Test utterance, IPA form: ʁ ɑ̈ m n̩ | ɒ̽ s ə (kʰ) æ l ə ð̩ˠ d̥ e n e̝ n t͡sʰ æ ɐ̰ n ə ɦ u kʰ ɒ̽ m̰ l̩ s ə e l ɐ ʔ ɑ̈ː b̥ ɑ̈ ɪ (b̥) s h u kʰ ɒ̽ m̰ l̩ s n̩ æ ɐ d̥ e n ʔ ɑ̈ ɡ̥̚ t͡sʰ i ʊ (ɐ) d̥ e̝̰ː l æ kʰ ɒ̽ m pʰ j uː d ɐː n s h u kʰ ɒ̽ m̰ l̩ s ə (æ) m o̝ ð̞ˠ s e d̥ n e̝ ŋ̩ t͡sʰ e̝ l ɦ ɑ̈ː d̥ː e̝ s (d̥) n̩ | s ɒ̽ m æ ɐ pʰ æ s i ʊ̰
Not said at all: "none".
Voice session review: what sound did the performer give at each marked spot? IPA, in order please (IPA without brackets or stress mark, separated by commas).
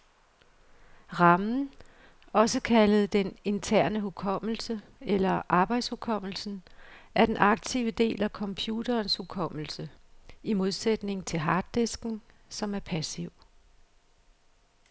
kʰ, d̥, ə, i, ɡ̥